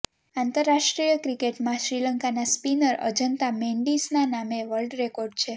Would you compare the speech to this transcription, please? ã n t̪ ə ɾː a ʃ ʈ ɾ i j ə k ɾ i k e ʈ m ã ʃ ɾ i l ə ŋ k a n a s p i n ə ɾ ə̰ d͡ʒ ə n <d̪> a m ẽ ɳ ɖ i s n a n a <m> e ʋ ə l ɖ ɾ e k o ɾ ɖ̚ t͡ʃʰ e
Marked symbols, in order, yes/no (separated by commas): no, yes